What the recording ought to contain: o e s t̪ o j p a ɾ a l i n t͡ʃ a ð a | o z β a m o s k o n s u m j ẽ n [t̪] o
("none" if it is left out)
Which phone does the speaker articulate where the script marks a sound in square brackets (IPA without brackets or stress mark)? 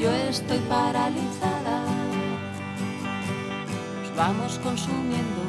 d̪